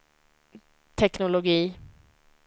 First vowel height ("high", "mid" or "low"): mid